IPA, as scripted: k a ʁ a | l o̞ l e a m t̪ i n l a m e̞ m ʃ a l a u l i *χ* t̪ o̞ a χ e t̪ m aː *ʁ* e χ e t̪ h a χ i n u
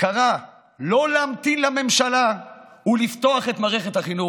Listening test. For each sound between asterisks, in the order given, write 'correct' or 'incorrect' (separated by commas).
incorrect, correct